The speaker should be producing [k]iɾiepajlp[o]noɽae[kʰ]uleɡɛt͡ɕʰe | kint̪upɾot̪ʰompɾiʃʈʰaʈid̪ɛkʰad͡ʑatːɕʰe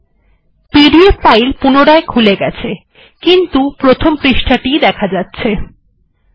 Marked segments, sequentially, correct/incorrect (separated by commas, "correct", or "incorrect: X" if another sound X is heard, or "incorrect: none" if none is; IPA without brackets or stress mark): incorrect: p, incorrect: u, correct